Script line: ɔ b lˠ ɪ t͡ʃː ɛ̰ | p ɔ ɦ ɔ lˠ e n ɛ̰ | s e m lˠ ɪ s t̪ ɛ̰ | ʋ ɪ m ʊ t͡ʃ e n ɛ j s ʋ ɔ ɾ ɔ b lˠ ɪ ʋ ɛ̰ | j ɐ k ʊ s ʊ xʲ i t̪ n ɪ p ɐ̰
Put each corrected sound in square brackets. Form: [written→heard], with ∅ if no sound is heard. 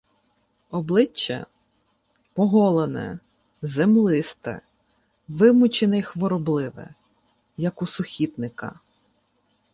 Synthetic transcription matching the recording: ɔ b lˠ ɪ t͡ʃː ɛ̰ | p ɔ ɦ ɔ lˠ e n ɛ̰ | [s→z] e m lˠ ɪ s t̪ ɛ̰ | ʋ ɪ m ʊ t͡ʃ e n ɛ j [s→x] ʋ ɔ ɾ ɔ b lˠ ɪ ʋ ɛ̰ | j ɐ k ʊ s ʊ xʲ i t̪ n ɪ [p→k] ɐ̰